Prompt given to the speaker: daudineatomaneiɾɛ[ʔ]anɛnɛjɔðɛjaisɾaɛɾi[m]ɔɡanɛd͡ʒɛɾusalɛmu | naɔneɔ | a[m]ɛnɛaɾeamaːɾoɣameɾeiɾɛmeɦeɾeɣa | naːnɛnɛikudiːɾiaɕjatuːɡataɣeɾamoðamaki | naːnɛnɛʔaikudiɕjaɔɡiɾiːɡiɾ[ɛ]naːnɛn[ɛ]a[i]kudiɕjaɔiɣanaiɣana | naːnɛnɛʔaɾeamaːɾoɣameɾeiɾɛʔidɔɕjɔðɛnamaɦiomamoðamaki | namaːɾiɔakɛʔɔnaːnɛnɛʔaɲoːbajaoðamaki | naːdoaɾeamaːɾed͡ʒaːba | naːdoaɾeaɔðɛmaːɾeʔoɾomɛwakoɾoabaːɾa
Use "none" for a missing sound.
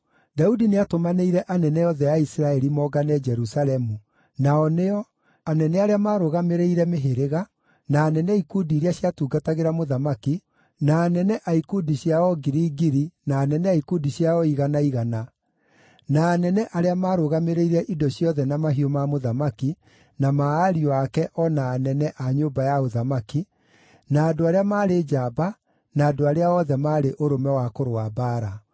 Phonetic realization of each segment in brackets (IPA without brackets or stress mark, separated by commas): ʔ, m, n, i, ɛ, i